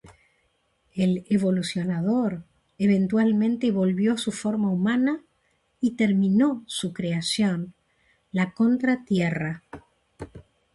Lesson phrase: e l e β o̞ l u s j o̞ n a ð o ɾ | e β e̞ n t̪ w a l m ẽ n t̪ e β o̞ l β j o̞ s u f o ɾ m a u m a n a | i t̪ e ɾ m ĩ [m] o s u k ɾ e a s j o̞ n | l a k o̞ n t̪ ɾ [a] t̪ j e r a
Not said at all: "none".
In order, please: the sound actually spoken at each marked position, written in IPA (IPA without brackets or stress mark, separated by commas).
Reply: n, a